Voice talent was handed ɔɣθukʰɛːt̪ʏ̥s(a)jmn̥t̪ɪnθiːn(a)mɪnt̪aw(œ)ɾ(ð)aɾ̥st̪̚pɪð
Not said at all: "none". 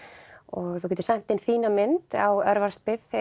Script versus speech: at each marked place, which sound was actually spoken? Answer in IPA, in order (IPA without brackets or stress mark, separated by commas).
a, a, œ, v